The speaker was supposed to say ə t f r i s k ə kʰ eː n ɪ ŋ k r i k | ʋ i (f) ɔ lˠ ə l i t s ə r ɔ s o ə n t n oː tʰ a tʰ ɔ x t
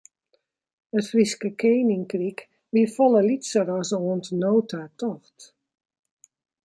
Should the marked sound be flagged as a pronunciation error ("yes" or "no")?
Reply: no